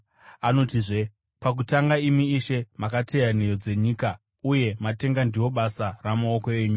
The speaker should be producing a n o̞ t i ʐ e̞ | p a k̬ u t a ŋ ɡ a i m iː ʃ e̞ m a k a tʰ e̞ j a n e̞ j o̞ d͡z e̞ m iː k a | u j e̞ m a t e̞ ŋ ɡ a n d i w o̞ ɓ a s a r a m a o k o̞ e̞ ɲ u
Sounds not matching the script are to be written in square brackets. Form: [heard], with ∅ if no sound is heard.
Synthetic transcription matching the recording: a n o̞ t i ʐ e̞ | p a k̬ u t a ŋ ɡ a i m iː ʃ e̞ m a k a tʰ e̞ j a n e̞ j o̞ d͡z e̞ [ɲ] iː k a | u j e̞ m a t e̞ ŋ ɡ a n d i w o̞ ɓ a s a r a m a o k o̞ e̞ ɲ u